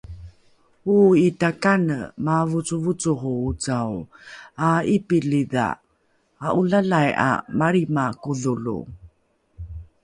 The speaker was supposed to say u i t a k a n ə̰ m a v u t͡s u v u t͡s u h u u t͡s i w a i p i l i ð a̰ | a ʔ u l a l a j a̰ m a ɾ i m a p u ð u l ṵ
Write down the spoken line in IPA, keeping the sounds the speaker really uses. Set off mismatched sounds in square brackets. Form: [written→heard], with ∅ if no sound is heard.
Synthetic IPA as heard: u i t a k a n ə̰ m a v u t͡s u v u t͡s u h u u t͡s [i→a] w a i p i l i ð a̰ | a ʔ u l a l a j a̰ m a ɾ i m a [p→k] u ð u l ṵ

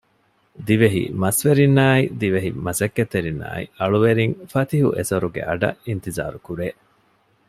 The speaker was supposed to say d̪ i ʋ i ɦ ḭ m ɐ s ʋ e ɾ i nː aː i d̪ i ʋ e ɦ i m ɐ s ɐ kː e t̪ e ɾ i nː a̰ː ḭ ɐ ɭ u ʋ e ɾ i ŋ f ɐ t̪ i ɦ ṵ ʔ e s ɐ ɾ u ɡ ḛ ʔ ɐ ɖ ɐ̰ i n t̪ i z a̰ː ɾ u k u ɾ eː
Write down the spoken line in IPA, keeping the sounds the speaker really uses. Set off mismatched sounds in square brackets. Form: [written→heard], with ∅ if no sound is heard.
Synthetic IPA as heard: d̪ i ʋ [i→e] ɦ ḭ m ɐ s ʋ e ɾ i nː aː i d̪ i ʋ e ɦ i m ɐ s ɐ kː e t̪ e ɾ i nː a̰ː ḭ ɐ ɭ u ʋ e ɾ i ŋ f ɐ t̪ i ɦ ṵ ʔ e s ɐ ɾ u ɡ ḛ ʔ ɐ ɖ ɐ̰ i n t̪ i z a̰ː ɾ u k u ɾ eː

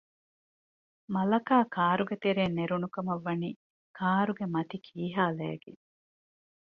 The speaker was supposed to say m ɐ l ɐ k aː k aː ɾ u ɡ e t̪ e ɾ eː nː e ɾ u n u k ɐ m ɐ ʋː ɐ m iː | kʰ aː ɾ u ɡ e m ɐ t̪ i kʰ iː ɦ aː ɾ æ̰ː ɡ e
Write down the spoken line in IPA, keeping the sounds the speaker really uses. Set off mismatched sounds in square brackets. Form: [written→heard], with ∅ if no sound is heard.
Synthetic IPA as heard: m ɐ l ɐ k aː k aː ɾ u ɡ e t̪ e ɾ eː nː e ɾ u n u k ɐ m ɐ ʋː ɐ [m→n] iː | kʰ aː ɾ u ɡ e m ɐ t̪ i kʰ iː ɦ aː [ɾ→l] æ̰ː ɡ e

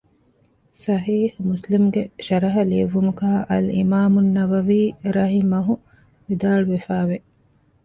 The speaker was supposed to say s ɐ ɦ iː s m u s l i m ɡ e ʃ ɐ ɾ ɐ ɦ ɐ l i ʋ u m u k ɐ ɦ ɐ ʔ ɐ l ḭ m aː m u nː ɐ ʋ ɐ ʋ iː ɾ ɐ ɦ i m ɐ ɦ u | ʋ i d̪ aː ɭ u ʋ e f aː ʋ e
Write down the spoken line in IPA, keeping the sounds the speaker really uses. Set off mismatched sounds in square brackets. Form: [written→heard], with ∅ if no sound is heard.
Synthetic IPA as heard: s ɐ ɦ iː [s→h] m u s l i m ɡ e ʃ ɐ ɾ ɐ ɦ ɐ l i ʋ u m u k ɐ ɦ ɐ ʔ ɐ l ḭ m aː m u nː ɐ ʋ ɐ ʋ iː ɾ ɐ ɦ i m ɐ ɦ u | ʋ i d̪ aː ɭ u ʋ e f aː ʋ e

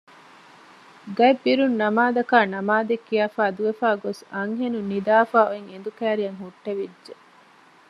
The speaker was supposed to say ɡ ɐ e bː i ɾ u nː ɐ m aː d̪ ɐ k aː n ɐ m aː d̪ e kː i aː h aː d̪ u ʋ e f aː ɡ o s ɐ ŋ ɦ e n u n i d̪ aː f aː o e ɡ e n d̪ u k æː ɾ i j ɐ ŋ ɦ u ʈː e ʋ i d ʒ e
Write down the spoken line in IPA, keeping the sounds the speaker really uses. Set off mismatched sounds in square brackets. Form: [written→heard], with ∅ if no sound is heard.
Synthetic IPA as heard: ɡ ɐ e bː i ɾ u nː ɐ m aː d̪ ɐ k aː n ɐ m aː d̪ e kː i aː [h→f] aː d̪ u ʋ e f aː ɡ o s ɐ ŋ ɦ e n u n i d̪ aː f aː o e [ɡ→ŋ] e n d̪ u k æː ɾ i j ɐ ŋ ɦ u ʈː e ʋ i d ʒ e

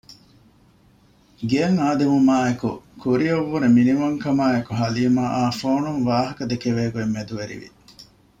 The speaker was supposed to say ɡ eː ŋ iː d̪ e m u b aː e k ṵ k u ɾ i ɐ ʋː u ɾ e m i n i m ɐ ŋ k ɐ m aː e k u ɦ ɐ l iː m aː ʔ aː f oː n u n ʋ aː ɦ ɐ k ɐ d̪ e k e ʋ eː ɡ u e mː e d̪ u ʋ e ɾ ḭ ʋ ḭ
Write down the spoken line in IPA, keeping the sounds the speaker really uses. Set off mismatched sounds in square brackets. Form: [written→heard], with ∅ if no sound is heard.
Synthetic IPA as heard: ɡ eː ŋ [iː→aː] d̪ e m u [b→m] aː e k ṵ k u ɾ i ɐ ʋː u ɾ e m i n i m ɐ ŋ k ɐ m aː e k u ɦ ɐ l iː m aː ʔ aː f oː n u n ʋ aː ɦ ɐ k ɐ d̪ e k e ʋ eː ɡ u e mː e d̪ u ʋ e ɾ ḭ ʋ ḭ

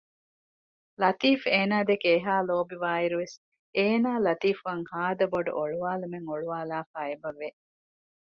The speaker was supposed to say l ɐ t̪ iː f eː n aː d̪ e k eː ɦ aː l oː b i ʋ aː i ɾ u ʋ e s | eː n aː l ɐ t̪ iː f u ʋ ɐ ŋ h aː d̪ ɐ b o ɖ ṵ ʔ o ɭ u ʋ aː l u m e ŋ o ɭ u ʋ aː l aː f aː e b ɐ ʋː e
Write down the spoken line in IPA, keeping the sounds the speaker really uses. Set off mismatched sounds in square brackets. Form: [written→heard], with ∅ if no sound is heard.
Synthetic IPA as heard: l ɐ t̪ iː f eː n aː d̪ e k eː ɦ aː l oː b i ʋ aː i ɾ u ʋ e s | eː n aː l ɐ t̪ iː f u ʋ ɐ ŋ h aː d̪ ɐ b o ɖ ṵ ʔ o ɭ u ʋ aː l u m e ŋ o ɭ u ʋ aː l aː f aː e b ɐ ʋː e

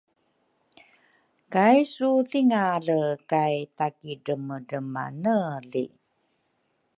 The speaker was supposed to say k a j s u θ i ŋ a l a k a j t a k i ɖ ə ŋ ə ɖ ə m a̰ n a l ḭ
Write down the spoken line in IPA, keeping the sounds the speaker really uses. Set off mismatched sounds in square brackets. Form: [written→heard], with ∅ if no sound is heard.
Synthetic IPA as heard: k a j s u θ i ŋ a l [a→ə] k a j t a k i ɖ ə [ŋ→m] ə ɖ ə m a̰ n [a→ə] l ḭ

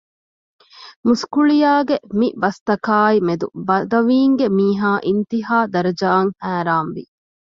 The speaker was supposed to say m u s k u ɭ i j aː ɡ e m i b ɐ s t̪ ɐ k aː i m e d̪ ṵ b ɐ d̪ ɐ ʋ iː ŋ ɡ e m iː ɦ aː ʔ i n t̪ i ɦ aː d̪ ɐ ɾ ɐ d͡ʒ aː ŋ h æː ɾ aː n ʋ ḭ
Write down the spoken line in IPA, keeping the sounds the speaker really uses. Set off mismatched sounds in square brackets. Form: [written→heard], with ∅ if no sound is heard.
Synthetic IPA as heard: m u s k u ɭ i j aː ɡ e m i b ɐ s t̪ ɐ k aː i m e d̪ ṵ b ɐ d̪ ɐ ʋ iː ŋ ɡ e m iː ɦ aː ʔ i n t̪ i ɦ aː d̪ ɐ ɾ ɐ d͡ʒ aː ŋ h æː ɾ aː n ʋ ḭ

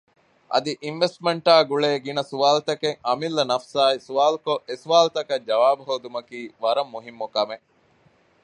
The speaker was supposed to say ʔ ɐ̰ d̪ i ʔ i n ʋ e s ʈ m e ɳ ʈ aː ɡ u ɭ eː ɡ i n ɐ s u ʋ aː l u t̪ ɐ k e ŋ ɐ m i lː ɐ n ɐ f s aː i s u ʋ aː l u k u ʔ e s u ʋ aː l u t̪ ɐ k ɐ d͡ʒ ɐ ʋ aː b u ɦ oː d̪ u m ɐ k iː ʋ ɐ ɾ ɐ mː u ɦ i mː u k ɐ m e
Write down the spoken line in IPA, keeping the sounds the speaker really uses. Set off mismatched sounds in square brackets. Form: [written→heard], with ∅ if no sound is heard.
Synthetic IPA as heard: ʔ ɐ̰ d̪ i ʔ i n ʋ e s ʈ m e ɳ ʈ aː ɡ u ɭ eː ɡ i n ɐ s u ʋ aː l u t̪ ɐ k e ŋ ɐ m i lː ɐ n ɐ f s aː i s u ʋ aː l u k [u→o] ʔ e s u ʋ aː l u t̪ ɐ k ɐ d͡ʒ ɐ ʋ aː b u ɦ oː d̪ u m ɐ k iː ʋ ɐ ɾ ɐ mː u ɦ i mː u k ɐ m e

